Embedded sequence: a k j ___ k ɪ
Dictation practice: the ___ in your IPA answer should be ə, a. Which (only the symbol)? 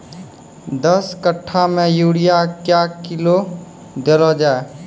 a